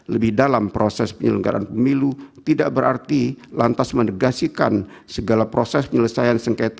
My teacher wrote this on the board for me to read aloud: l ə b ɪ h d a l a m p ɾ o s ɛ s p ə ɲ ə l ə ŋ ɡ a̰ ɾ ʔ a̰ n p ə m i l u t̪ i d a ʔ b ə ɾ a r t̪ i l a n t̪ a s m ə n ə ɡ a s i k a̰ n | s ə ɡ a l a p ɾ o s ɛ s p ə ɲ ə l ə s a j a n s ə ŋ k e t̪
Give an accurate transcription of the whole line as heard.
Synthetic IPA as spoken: l ə b ɪ h d a l a m p ɾ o s ɛ s p ə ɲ ə l ə ŋ ɡ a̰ ɾ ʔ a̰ n p ə m i l u t̪ i d a ʔ b ə ɾ a r t̪ i l a n t̪ a s m ə n ə ɡ a s i k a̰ n | s ə ɡ a l a p ɾ o s ɛ s p ə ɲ ə l ə s a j a n s ə ŋ k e t̪